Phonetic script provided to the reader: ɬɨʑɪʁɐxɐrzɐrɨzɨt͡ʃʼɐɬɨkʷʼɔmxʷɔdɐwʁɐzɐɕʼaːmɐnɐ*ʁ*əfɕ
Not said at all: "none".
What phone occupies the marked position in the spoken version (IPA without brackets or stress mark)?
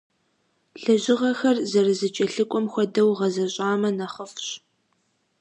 χ